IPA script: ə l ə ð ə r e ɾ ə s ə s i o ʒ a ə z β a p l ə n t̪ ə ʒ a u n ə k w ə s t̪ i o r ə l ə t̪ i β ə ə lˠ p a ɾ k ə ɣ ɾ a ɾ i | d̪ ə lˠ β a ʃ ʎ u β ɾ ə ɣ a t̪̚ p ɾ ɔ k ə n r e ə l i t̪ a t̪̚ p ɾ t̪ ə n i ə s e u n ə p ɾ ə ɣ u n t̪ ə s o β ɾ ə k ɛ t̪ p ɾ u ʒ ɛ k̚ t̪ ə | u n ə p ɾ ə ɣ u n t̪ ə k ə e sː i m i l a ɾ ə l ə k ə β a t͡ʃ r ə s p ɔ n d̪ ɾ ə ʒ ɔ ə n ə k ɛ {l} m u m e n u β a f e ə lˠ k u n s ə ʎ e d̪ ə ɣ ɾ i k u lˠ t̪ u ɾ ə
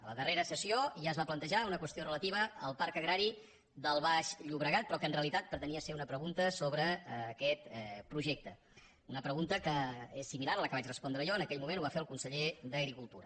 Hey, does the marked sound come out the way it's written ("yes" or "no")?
no